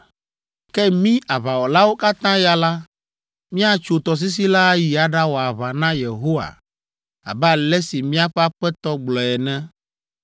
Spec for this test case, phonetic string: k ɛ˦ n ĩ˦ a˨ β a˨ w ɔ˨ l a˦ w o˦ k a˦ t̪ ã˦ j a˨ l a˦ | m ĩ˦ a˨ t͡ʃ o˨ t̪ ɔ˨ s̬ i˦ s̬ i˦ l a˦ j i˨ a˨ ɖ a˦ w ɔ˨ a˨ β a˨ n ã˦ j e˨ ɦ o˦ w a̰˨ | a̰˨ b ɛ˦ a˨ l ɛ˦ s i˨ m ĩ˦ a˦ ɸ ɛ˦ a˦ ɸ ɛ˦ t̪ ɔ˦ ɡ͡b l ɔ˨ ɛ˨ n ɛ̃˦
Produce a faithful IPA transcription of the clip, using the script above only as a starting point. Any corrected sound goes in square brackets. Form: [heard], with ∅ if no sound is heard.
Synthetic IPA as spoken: k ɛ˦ [m] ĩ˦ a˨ β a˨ w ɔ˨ l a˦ w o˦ k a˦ t̪ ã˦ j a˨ l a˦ | m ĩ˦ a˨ t͡ʃ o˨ t̪ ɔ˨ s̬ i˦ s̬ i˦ l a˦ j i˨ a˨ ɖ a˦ w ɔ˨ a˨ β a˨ n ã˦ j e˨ ɦ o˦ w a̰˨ | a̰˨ b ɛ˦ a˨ l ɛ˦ s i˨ m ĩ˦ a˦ ɸ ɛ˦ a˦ ɸ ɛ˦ t̪ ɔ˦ ɡ͡b l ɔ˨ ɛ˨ n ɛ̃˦

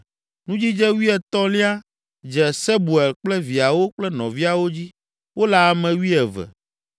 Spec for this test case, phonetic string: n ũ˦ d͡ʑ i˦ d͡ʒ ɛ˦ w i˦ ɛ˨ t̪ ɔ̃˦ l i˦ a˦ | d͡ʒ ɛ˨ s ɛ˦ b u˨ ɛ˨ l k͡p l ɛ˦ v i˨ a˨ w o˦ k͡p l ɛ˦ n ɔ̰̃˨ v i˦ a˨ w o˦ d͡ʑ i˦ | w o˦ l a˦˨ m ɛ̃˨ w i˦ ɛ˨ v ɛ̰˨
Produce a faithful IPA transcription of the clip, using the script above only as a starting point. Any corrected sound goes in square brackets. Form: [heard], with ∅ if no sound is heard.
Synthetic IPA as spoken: n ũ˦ d͡ʑ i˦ d͡ʒ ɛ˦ w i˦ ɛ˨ t̪ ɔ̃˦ l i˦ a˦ | d͡ʒ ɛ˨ s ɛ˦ b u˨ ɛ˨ l k͡p l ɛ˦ v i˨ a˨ w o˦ k͡p l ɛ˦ n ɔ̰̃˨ v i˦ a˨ w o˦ d͡ʑ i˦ | w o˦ l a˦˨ m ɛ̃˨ w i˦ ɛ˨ v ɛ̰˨

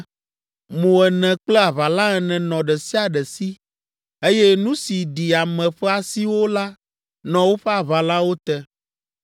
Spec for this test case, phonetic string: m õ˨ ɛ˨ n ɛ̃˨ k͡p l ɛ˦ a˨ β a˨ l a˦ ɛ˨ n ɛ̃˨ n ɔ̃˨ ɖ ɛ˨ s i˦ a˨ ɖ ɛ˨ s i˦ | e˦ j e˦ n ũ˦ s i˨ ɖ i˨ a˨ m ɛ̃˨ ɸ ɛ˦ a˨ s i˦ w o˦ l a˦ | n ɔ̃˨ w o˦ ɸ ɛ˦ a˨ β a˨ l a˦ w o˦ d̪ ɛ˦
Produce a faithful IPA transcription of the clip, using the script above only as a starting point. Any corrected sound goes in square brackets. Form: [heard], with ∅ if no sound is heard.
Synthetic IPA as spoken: m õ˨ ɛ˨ n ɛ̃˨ k͡p l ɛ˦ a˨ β a˨ l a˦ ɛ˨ n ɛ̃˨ n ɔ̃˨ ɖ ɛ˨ s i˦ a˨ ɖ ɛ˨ s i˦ | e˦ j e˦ n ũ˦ s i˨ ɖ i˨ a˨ m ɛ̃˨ ɸ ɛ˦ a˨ s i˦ w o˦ l a˦ | n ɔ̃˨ w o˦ ɸ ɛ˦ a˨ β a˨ l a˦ w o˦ [t̪] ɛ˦

